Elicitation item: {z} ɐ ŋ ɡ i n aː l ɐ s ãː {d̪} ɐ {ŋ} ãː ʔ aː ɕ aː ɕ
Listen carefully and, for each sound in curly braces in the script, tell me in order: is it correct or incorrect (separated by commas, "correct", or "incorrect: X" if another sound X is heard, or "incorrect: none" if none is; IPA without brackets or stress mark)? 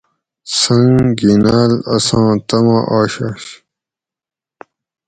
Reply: incorrect: s, incorrect: t̪, incorrect: m